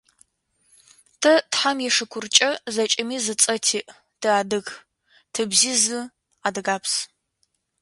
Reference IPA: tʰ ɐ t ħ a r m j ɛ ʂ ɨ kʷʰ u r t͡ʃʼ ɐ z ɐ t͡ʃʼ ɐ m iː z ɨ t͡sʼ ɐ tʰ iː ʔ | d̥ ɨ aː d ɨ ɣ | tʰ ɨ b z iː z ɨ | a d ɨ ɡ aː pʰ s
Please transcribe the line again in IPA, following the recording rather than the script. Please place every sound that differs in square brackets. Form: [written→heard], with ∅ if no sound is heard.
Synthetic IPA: tʰ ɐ t ħ a [r→∅] m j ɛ ʂ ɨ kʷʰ [u→ʊ] r t͡ʃʼ ɐ z ɐ t͡ʃʼ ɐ m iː z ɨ t͡sʼ ɐ tʰ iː ʔ | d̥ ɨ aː d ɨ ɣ | tʰ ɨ b z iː z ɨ | a d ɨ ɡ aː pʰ s